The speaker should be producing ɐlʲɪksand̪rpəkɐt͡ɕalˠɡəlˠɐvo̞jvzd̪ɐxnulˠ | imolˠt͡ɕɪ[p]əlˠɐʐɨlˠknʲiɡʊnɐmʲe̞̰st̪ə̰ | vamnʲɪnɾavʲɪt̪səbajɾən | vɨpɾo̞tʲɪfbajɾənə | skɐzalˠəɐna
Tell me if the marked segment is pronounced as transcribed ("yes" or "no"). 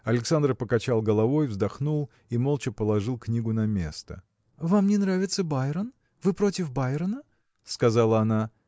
yes